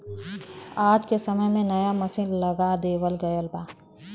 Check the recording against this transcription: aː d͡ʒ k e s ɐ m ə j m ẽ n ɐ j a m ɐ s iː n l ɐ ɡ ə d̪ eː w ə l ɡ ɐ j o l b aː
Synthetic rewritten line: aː d͡ʒ k e s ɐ m ə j m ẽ n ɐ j a m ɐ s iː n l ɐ ɡ a d̪ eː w ə l ɡ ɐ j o l b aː

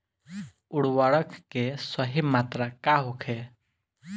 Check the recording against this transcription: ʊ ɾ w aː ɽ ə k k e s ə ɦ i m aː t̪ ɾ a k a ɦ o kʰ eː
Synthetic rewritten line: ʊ ɽ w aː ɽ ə k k e s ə ɦ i m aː t̪ ɾ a k a ɦ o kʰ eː

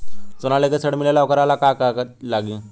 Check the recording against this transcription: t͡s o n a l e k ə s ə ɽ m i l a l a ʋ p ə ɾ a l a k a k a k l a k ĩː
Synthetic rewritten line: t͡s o n a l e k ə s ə ɽ m i l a l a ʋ k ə ɾ a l a k a k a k l a ɡ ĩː

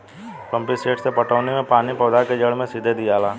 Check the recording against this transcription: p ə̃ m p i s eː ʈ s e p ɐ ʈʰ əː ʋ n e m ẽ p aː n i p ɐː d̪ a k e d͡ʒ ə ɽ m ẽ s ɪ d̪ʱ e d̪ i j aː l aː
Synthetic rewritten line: p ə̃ m p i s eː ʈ s e p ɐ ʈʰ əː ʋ n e m ẽ p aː n i p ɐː d̪ a k e d͡ʒ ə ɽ m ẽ s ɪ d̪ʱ e d̪ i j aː l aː

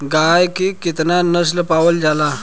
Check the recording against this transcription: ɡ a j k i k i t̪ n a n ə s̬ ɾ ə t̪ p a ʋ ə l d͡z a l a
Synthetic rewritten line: ɡ a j k i k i t̪ n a n ə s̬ l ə p a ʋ ə l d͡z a l a

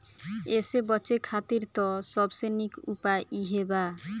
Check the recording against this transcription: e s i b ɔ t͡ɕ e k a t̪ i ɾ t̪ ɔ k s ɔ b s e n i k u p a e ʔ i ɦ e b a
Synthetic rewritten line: e s e b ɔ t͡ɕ e kʰ a t̪ i ɾ t̪ ɔ s ɔ b s e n i k u p a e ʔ i ɦ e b a

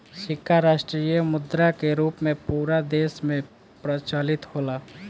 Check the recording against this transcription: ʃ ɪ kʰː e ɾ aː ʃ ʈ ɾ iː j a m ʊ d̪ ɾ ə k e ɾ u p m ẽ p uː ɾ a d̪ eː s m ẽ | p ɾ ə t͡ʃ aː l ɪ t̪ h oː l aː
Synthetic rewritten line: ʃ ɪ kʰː a ɾ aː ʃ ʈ ɾ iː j ə m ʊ d̪ ɾ a k e ɾ uː p m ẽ p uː ɾ a d̪ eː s m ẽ | p ɾ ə t͡ʃ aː l ɪ t̪ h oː l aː

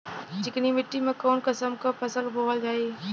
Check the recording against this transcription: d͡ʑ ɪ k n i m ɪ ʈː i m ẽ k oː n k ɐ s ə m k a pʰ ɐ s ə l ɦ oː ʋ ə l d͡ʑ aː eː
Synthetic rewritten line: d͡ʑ ɪ k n i m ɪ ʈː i m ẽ k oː n k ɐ s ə m k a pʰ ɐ s ə l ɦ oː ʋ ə l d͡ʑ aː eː

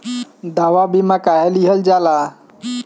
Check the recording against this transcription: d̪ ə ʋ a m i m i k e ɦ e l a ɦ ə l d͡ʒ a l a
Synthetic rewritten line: d̪ a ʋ a b i m a k a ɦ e l i ɦ ə l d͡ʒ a l a

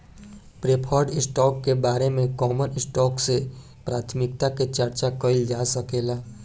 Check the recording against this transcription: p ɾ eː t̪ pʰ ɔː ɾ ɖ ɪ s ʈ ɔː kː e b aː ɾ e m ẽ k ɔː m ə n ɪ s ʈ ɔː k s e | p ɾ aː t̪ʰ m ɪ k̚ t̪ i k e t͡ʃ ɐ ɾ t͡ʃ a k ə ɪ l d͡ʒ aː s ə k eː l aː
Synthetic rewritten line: p ɾ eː pʰ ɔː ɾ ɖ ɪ s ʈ ɔː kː e b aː ɾ e m ẽ k ɔː m ə n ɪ s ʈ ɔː k s e | p ɾ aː t̪ʰ m ɪ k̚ t̪ a k e t͡ʃ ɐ ɾ t͡ʃ a k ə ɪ l d͡ʒ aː s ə k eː l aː

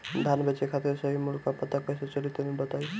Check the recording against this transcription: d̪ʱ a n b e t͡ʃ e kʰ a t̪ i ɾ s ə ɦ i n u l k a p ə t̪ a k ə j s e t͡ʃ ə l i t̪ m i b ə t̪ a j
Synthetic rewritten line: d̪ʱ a n b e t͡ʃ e kʰ a t̪ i ɾ s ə ɦ i m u l k a p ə t̪ a k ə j s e t͡ʃ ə l i t̪ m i b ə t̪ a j

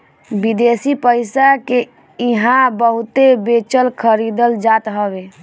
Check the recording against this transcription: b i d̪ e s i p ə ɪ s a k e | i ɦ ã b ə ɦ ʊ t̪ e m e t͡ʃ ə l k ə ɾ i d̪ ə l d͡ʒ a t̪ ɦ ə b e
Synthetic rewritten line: b i d̪ e s i p ə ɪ s a k e | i ɦ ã b ə ɦ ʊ t̪ e b e t͡ʃ ə l kʰ ə ɾ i d̪ ə l d͡ʒ a t̪ ɦ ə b e

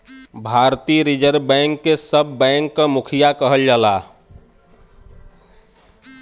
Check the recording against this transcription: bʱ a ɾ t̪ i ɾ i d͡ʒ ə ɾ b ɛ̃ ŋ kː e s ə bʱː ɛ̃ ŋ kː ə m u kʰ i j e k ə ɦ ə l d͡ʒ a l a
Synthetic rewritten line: bʱ a ɾ t̪ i ɾ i d͡ʒ ə ɾ b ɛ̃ ŋ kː e s ə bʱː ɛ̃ ŋ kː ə m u kʰ i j a k ə ɦ ə l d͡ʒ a l a

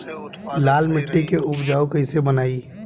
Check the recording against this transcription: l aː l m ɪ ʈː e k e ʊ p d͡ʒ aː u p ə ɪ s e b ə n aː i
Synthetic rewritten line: l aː l m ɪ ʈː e k e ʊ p d͡ʒ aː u k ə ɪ s e b ə n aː i

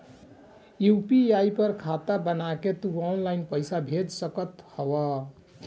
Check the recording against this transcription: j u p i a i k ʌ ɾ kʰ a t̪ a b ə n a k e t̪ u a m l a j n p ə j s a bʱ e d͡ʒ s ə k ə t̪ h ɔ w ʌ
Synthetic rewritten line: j u p i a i p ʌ ɾ kʰ a t̪ a b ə n a k e t̪ u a n l a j n p ə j s a bʱ e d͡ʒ s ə k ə t̪ h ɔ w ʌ

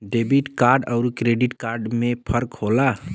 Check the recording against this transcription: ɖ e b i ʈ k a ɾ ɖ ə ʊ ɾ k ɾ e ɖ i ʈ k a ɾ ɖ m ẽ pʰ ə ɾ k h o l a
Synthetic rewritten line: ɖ e b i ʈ k a ɾ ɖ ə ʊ ɾ k ɾ e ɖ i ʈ k a ɾ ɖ m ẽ pʰ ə ɾ k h o l a

